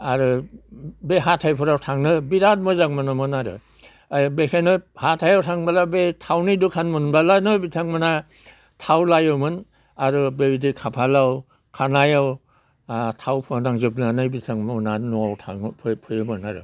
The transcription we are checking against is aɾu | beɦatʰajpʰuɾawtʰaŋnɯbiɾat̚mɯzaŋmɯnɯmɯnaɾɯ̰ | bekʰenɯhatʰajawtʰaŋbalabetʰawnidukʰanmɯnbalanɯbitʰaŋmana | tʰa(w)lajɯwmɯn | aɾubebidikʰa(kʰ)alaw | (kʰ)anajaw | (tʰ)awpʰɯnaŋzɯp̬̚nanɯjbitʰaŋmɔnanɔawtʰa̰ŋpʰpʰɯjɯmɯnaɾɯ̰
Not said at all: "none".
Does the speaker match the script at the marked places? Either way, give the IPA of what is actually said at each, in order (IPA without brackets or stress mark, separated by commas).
w, pʰ, kʰ, tʰ